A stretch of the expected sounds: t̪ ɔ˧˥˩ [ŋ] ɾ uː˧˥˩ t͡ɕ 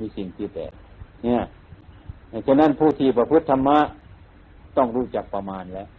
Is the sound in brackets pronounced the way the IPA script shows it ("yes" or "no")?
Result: yes